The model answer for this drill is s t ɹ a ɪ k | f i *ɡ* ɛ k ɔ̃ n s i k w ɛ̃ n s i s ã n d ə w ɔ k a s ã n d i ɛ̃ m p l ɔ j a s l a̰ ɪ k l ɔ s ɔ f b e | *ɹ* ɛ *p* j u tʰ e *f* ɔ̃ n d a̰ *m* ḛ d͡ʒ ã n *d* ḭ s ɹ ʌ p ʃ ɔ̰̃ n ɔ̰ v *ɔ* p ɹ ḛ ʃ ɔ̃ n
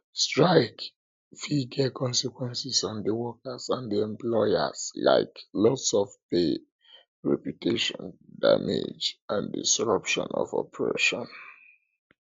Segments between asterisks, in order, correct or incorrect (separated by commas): correct, correct, correct, incorrect, correct, correct, correct